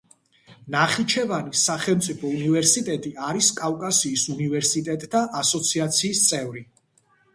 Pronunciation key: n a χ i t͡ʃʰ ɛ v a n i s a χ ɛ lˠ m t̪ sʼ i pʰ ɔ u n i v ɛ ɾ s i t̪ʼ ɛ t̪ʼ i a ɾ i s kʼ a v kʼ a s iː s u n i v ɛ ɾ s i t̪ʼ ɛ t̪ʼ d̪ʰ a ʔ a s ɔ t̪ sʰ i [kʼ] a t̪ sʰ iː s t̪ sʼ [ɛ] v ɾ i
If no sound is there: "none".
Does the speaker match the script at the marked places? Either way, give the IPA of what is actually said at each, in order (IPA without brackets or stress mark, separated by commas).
none, ɛ